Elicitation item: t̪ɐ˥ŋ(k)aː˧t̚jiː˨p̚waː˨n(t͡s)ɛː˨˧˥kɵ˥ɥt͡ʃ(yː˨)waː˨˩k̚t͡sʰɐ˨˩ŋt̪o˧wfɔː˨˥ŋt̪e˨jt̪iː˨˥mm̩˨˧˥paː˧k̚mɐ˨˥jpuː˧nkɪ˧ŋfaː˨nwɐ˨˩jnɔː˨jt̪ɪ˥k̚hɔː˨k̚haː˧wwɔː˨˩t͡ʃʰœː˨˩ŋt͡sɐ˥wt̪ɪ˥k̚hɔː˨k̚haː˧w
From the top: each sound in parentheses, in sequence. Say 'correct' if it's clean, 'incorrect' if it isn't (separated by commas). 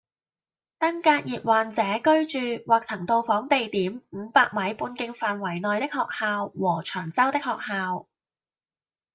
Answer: correct, correct, correct